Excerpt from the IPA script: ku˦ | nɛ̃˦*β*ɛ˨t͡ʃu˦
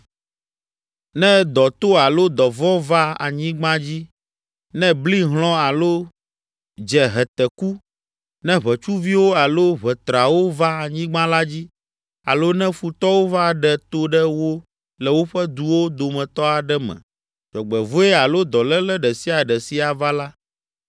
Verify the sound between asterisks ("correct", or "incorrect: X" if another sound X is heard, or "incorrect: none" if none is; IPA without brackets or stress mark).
correct